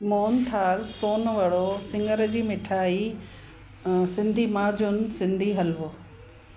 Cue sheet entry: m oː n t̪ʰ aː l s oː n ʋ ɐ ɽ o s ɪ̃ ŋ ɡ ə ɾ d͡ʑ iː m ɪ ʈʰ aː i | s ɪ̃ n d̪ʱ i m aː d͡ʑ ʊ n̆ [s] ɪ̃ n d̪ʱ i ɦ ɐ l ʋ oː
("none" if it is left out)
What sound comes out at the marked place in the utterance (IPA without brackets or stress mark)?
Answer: s